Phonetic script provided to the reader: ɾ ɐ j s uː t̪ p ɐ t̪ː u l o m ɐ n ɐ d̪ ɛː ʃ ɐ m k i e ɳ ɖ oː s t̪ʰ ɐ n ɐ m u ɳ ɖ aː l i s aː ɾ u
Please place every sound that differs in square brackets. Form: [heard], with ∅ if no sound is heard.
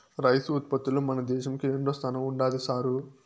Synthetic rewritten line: ɾ ɐ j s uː t̪ p ɐ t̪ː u l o m ɐ n ɐ d̪ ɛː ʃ ɐ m k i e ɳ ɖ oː s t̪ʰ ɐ n ɐ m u ɳ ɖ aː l i s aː ɾ u

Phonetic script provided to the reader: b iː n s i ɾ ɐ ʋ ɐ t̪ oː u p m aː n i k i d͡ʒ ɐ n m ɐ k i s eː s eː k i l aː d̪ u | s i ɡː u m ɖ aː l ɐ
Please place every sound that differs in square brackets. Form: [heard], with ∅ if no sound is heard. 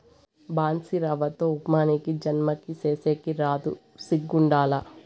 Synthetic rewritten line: b [aː] n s i ɾ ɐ ʋ ɐ t̪ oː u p m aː n i k i d͡ʒ ɐ n m ɐ k i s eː s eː k i [ɾ] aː d̪ u | s i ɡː u [ɳ] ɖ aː l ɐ

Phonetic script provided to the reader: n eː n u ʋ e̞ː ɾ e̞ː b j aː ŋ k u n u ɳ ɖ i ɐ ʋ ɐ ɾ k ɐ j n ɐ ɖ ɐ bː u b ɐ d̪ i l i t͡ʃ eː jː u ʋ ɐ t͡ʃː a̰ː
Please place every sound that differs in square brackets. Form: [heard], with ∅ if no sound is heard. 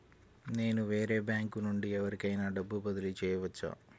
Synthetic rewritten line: n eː n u ʋ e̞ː ɾ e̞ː b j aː ŋ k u n u ɳ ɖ i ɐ ʋ ɐ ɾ k ɐ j n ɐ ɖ ɐ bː u b ɐ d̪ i l i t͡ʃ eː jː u ʋ ɐ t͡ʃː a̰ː

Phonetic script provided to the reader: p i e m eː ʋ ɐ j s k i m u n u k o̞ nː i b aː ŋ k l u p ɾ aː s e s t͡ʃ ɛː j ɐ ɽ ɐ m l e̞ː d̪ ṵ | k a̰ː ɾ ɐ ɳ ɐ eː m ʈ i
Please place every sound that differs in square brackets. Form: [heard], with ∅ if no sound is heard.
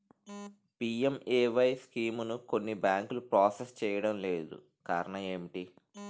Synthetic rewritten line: p i e m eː ʋ ɐ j s k [iː] m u n u k o̞ nː i b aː ŋ k l u p ɾ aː s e s t͡ʃ ɛː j ɐ ɽ ɐ m l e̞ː d̪ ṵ | k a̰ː ɾ ɐ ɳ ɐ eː m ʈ i

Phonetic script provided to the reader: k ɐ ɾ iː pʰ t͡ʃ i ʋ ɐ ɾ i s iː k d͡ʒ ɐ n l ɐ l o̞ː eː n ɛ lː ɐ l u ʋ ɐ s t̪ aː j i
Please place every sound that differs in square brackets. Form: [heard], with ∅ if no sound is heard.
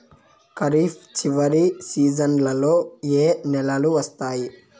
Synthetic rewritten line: k ɐ ɾ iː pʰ t͡ʃ i ʋ ɐ ɾ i s iː [∅] d͡ʒ ɐ n l ɐ l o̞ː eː n ɛ [l] ɐ l u ʋ ɐ s t̪ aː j i

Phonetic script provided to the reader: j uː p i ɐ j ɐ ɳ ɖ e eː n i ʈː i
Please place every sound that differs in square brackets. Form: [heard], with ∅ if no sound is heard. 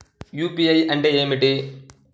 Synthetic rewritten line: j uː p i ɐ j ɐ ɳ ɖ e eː [m] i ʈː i

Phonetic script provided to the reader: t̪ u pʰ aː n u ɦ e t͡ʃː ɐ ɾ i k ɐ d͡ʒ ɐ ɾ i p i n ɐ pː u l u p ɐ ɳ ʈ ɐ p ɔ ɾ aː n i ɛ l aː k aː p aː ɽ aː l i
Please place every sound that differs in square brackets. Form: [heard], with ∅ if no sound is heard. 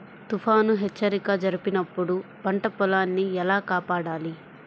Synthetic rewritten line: t̪ u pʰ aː n u ɦ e t͡ʃː ɐ ɾ i k ɐ d͡ʒ ɐ ɾ i p i n ɐ pː u [ɽ] u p ɐ ɳ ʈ ɐ p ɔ [l] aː [nː] i ɛ l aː k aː p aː ɽ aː l i

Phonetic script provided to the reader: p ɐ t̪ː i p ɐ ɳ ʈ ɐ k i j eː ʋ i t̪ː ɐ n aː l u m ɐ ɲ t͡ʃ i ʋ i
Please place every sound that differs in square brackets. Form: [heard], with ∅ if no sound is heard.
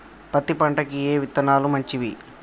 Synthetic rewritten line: p ɐ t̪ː i p ɐ ɳ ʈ ɐ k i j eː ʋ i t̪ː ɐ n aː l u m ɐ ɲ t͡ʃ i ʋ i

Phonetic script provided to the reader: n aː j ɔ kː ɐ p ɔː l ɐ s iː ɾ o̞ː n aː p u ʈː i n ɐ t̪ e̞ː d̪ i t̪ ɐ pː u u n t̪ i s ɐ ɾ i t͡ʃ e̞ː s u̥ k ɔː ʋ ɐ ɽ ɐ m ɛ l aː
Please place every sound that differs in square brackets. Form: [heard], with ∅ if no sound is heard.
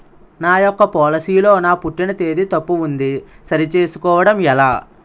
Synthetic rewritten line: n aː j ɔ kː ɐ p ɔː l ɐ s iː [l] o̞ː n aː p u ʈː i n ɐ t̪ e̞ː d̪ i t̪ ɐ pː u u n [d̪] i s ɐ ɾ i t͡ʃ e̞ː s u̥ k ɔː ʋ ɐ ɽ ɐ m ɛ l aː

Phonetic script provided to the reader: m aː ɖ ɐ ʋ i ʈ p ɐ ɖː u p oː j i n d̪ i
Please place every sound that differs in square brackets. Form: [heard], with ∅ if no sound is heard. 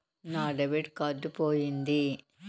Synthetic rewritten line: [n] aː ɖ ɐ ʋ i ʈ [k] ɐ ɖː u p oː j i n d̪ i

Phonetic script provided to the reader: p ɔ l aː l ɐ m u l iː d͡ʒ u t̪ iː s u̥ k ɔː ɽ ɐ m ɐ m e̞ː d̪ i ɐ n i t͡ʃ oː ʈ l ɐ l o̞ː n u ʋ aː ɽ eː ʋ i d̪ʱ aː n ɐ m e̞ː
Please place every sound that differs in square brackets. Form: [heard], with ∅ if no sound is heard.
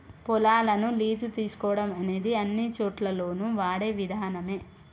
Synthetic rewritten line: p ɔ l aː l ɐ [n] u l iː d͡ʒ u t̪ iː s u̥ k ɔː ɽ ɐ m ɐ [n] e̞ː d̪ i ɐ [nː] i t͡ʃ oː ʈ l ɐ l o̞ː n u ʋ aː ɽ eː ʋ i d̪ʱ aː n ɐ m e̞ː

